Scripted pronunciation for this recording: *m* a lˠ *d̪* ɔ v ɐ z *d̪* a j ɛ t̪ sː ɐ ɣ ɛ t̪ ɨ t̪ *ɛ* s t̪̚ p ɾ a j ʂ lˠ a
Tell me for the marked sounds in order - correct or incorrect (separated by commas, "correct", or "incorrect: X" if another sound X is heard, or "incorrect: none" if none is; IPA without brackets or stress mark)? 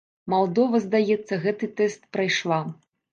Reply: correct, correct, correct, correct